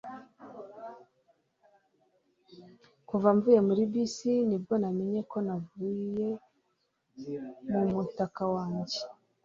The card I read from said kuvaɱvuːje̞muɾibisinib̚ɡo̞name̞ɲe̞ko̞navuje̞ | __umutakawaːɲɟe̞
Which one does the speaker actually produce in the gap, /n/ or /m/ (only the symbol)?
m